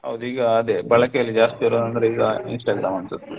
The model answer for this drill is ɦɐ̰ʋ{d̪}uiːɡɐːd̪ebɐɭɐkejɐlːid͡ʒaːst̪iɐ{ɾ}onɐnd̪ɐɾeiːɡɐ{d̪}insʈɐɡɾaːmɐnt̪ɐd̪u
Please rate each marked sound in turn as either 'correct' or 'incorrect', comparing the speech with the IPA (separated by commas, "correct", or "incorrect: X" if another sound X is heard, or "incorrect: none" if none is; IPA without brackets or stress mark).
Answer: correct, correct, incorrect: none